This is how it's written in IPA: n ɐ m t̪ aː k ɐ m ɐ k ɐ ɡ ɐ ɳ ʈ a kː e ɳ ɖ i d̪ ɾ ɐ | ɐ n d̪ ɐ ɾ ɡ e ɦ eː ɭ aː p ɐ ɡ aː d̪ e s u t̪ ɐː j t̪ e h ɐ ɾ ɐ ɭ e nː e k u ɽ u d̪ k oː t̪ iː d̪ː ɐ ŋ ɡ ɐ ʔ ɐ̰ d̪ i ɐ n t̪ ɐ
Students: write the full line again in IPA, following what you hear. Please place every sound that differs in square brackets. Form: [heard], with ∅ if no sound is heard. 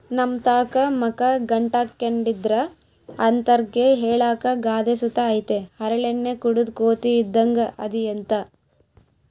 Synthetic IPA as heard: n ɐ m t̪ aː k ɐ m ɐ k ɐ ɡ ɐ ɳ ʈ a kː e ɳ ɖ i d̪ ɾ ɐ | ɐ n [t̪] ɐ ɾ ɡ e ɦ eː ɭ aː [k] ɐ ɡ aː d̪ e s u t̪ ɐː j t̪ e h ɐ ɾ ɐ ɭ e nː e k u ɽ u d̪ k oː t̪ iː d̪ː ɐ ŋ ɡ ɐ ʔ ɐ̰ d̪ i ɐ n t̪ ɐ